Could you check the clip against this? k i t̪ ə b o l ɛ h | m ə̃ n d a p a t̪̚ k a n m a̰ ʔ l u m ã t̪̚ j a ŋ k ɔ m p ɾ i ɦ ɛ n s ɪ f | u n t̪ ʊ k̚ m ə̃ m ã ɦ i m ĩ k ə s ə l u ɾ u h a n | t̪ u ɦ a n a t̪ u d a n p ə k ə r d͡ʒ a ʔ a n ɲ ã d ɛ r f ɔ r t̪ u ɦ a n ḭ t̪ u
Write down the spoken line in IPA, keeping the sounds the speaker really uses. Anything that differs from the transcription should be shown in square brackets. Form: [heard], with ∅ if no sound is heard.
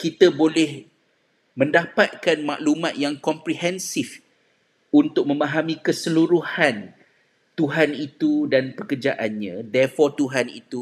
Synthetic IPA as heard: k i t̪ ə b o l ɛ h | m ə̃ n d a p a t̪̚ k a n m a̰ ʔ l u m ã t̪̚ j a ŋ k ɔ m p ɾ i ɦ ɛ n s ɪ f | u n t̪ ʊ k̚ m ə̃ m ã ɦ [a] m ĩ k ə s ə l u ɾ u h a n | t̪ u ɦ a n [i] t̪ u d a n p ə k ə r d͡ʒ a ʔ a n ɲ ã d ɛ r f ɔ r t̪ u ɦ a n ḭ t̪ u